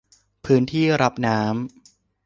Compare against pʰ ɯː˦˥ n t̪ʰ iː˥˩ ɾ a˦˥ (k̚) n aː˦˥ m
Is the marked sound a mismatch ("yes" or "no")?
yes